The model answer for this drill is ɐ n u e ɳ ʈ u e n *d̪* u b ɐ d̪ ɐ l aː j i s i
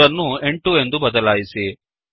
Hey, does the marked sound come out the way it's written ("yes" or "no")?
yes